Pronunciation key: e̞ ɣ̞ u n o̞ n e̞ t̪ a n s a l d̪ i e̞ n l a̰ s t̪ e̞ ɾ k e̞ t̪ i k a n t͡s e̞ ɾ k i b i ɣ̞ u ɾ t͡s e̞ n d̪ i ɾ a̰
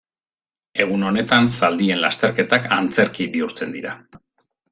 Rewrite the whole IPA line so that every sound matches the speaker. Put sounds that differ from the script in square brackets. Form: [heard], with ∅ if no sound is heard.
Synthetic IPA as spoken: e̞ ɣ̞ u n o̞ n e̞ t̪ a n s a l d̪ i e̞ n l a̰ s t̪ e̞ ɾ k e̞ t̪ [a] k a n t͡s e̞ ɾ k i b i [∅] u ɾ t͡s e̞ n d̪ i ɾ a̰